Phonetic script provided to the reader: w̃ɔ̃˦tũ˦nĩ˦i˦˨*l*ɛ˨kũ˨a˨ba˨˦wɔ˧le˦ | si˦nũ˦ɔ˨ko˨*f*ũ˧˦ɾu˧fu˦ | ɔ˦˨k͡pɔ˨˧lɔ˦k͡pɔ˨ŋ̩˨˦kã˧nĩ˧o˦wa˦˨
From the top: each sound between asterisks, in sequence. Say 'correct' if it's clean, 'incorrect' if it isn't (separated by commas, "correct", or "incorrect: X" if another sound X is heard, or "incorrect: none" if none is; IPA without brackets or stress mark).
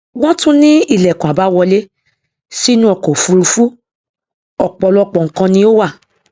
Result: correct, correct